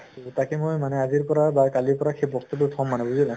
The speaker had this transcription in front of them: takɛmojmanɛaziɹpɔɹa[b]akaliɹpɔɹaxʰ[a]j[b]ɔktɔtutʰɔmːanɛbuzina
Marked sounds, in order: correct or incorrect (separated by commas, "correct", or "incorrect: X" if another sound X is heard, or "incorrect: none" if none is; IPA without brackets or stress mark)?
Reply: correct, incorrect: e, correct